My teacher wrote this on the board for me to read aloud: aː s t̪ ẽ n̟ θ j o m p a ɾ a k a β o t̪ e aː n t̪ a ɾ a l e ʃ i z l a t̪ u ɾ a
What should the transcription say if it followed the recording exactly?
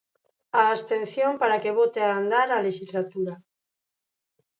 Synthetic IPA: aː s t̪ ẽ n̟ θ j o m p a ɾ a k e β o t̪ e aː n d̪ a ɾ a l e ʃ i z l a t̪ u ɾ a